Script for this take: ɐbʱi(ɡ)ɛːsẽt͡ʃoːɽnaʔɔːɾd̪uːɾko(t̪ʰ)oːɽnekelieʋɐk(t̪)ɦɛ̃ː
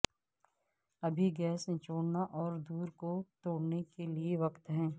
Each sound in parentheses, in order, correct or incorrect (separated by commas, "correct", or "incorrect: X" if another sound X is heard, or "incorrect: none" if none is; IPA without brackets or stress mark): correct, incorrect: t̪, correct